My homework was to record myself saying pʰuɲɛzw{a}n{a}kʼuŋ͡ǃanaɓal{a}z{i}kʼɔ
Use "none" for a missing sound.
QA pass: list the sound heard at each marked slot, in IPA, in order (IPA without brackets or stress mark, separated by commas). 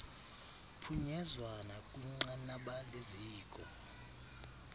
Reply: a, a, e, iː